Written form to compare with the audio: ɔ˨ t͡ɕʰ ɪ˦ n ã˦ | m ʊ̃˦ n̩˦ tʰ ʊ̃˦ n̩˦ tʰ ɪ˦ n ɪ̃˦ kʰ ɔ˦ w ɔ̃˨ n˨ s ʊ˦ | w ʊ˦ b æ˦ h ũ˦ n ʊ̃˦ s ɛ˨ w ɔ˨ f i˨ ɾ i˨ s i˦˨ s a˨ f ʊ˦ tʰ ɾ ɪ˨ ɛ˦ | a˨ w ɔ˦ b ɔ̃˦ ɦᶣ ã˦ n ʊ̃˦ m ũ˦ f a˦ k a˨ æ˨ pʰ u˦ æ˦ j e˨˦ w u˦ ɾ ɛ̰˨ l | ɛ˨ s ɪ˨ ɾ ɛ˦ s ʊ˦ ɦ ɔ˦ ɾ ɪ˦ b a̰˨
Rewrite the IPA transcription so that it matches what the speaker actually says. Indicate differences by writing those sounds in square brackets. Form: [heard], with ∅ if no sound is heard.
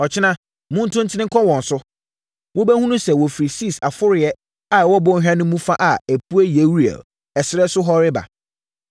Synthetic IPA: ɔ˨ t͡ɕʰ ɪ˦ n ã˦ | m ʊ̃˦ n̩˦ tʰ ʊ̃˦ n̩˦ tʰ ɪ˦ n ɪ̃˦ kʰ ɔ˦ w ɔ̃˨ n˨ s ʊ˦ | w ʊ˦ b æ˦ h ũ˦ n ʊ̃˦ s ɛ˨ w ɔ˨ f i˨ ɾ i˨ s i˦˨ s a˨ f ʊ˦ [∅] ɾ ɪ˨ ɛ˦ | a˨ w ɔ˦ b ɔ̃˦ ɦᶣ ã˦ n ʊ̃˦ m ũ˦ f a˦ [ʔ] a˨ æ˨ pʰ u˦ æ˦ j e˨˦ w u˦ ɾ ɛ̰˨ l | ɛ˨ s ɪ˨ ɾ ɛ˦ s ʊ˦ ɦ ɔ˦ ɾ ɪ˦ b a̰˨